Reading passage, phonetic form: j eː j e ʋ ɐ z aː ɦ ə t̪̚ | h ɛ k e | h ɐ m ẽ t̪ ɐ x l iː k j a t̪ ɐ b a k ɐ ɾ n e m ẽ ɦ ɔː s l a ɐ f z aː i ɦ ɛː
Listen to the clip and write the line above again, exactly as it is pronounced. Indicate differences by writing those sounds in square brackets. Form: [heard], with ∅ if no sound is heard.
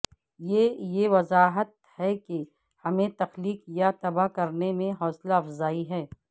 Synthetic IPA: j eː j e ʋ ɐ z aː ɦ ə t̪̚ | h ɛ k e | h ɐ m ẽ t̪ ɐ x l iː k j a t̪ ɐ b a k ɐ ɾ n e m ẽ ɦ ɔː s l a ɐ f z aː i ɦ ɛː